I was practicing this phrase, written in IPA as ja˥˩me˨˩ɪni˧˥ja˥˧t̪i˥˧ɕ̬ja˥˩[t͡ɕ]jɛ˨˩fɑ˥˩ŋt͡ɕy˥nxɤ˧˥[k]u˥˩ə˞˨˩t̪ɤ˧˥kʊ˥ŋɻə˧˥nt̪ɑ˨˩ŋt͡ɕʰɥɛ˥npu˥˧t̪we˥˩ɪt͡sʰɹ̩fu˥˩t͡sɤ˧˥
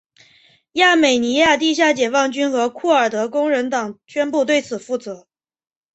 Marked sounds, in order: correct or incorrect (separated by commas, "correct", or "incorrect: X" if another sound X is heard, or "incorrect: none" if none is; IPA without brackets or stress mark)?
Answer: correct, incorrect: kʰ